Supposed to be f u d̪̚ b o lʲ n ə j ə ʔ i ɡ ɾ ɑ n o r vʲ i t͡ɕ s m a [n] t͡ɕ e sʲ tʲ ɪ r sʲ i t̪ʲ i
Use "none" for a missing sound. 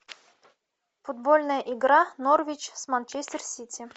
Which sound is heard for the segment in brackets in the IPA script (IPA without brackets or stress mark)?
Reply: n